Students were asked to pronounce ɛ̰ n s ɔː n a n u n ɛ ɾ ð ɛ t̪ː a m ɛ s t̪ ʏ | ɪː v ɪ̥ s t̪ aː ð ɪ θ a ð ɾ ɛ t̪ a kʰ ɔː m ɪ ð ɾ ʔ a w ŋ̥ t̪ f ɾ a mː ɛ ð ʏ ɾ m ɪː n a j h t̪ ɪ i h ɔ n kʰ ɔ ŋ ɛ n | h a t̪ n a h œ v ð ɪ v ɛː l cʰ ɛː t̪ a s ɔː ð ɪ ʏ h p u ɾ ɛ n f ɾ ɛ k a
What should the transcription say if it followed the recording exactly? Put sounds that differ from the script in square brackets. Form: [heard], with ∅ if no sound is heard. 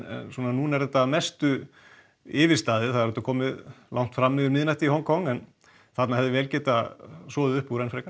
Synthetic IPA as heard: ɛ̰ n s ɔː n a n u n ɛ ɾ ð ɛ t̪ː a m ɛ s t̪ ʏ | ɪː v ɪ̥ s t̪ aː ð ɪ θ a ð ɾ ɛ t̪ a kʰ ɔː m ɪ ð [l] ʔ a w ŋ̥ t̪ f ɾ a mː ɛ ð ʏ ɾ m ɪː n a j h t̪ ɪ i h ɔ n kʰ ɔ ŋ ɛ n | [θ] a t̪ n a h [ɛ] v ð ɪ v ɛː l [c] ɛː t̪ a s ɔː ð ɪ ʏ h p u ɾ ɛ n f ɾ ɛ k a

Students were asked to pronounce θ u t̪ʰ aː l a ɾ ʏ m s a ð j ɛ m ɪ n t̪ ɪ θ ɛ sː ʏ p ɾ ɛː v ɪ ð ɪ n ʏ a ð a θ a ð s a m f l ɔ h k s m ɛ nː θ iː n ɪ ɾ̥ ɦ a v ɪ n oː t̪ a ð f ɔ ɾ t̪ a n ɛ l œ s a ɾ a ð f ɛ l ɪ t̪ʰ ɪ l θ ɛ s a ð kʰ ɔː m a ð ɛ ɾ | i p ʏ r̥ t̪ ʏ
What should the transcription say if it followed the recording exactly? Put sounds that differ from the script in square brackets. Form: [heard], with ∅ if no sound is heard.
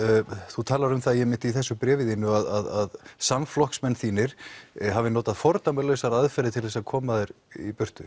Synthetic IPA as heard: θ u t̪ʰ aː l a ɾ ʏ m [θ] a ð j ɛ m ɪ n t̪ [i] θ ɛ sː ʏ p ɾ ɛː v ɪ ð ɪ n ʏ a ð a [ð] a ð s a m f l ɔ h k s m ɛ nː θ iː n ɪ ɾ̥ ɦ a v ɪ n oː t̪ a ð f ɔ ɾ t̪ a [m] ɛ l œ s a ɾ a ð f ɛ [ɾ] ɪ t̪ʰ ɪ l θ ɛ s a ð kʰ ɔː m a ð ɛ ɾ | i p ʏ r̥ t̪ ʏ

